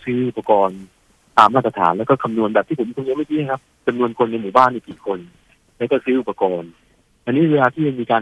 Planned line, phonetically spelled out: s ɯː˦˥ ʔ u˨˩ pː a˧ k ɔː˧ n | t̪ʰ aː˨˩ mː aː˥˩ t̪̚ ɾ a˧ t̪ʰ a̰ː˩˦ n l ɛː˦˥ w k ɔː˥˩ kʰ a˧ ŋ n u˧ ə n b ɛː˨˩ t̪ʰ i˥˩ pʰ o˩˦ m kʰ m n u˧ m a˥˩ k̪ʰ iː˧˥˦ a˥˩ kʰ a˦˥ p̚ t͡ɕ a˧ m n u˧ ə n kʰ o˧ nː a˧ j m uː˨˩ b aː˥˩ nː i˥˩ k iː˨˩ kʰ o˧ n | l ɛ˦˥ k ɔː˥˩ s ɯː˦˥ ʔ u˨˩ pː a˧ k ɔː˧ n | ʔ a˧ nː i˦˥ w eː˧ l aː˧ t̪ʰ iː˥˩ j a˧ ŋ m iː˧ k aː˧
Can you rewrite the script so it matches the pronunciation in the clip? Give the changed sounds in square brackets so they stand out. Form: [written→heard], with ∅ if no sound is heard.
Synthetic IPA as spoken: s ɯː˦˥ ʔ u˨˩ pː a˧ k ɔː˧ n | [t̪ʰ→t̪] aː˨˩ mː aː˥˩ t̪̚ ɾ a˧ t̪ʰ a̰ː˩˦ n l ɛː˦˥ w k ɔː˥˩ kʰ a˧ [ŋ→m] n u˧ ə n b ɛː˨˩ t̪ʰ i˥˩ pʰ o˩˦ m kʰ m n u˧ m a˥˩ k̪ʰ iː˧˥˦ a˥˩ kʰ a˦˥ p̚ t͡ɕ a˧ m n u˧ ə n kʰ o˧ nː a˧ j m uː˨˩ b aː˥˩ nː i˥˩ k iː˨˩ kʰ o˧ n | l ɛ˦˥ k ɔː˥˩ s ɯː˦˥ ʔ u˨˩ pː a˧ k ɔː˧ n | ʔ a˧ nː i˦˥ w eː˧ l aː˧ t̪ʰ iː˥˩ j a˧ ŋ m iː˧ k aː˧